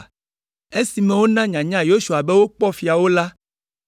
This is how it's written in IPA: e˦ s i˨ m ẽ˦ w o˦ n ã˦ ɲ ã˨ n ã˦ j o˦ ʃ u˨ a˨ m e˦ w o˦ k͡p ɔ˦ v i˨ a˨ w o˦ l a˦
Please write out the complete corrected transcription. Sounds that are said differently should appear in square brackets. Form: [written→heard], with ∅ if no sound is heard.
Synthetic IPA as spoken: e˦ s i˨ m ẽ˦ w o˦ n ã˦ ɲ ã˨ [n→ɲ] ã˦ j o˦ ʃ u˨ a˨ [m→b] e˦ w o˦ k͡p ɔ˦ [v→f] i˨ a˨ w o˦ l a˦